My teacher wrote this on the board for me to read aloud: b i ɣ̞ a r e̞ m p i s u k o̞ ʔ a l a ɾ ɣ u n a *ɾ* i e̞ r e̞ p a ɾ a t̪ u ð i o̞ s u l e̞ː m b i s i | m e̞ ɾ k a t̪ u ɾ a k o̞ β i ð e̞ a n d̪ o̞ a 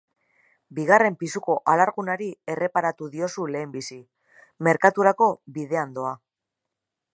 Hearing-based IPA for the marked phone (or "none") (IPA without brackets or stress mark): ɾ